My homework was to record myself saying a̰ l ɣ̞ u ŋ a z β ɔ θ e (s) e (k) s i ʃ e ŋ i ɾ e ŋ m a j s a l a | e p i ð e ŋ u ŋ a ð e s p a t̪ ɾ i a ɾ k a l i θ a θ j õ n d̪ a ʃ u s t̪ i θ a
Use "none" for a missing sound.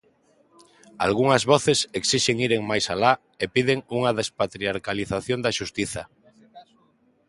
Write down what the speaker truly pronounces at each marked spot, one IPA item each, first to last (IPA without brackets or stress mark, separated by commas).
s, k